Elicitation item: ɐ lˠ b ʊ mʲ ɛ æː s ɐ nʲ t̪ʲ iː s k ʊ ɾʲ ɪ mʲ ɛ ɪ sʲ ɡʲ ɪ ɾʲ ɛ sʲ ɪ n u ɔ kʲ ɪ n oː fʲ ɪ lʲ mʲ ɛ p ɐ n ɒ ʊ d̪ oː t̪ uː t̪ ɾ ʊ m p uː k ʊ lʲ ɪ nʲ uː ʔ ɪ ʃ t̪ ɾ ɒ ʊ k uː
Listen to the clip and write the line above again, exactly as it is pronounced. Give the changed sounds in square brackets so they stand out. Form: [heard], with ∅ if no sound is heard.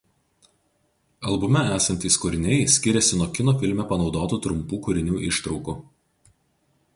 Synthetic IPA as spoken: ɐ lˠ b ʊ mʲ ɛ æː s ɐ nʲ t̪ʲ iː s k ʊ ɾʲ ɪ [nʲ] ɛ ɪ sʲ [kʲ] ɪ ɾʲ ɛ sʲ ɪ n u ɔ kʲ ɪ n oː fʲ ɪ lʲ mʲ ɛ p ɐ n ɒ ʊ d̪ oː t̪ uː t̪ ɾ ʊ m p uː k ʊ [ɾʲ] ɪ nʲ uː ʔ ɪ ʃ t̪ ɾ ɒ ʊ k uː